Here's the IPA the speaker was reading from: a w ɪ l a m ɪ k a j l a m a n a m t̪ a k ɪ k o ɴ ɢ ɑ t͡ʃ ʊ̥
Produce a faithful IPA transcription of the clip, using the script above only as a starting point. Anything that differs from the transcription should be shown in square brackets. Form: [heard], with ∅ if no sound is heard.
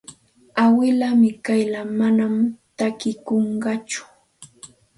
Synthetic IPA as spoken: a w ɪ l a m ɪ k a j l a m a n a m t̪ a k ɪ k o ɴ ɢ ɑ t͡ʃ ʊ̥